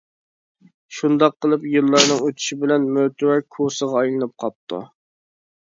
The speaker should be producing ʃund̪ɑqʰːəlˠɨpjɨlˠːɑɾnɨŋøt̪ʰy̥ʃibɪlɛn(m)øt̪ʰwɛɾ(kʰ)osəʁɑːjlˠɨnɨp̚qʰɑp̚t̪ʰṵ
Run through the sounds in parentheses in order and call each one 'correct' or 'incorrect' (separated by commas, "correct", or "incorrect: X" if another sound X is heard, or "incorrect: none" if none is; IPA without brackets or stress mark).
correct, correct